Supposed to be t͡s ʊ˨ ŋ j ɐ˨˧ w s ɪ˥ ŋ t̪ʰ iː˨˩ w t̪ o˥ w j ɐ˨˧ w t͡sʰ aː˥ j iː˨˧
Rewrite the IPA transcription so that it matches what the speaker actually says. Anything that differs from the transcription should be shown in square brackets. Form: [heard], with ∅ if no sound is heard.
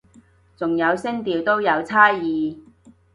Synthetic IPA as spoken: t͡s ʊ˨ ŋ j ɐ˨˧ w s ɪ˥ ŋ [t̪] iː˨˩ w t̪ o˥ w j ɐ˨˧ w t͡sʰ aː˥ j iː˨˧